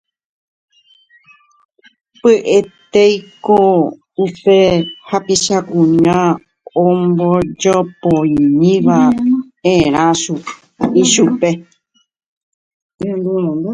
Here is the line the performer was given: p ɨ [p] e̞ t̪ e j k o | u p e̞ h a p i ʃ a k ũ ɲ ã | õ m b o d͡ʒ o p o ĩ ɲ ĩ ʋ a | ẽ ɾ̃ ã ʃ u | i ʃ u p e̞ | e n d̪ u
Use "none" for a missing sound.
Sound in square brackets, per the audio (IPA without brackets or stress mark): ʔ